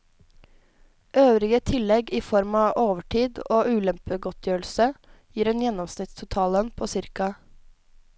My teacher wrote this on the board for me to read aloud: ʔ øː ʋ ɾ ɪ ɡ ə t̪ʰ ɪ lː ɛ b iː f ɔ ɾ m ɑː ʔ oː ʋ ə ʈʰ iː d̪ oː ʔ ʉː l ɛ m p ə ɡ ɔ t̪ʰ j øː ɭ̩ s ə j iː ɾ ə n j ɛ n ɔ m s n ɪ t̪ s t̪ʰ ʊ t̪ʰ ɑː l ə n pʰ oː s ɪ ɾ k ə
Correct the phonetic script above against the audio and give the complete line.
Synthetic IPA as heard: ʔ øː ʋ ɾ ɪ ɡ ə t̪ʰ ɪ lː ɛ ɡ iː f ɔ ɾ m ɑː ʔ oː ʋ ə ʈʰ iː d̪ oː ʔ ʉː l ɛ m p ə ɡ ɔ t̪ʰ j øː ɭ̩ s ə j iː ɾ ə n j ɛ n ɔ m s n ɪ t̪ s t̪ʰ ʊ t̪ʰ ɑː l ə n pʰ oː s ɪ ɾ k ɑ